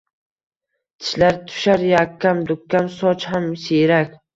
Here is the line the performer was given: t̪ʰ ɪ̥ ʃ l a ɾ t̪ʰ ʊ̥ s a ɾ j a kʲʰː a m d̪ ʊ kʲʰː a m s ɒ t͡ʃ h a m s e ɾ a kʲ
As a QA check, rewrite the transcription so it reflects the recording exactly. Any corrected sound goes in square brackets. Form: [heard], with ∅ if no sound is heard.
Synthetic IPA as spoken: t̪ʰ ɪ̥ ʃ l a ɾ t̪ʰ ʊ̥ [ʃ] a ɾ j a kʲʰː a m d̪ ʊ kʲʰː a m s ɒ t͡ʃ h a m s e ɾ a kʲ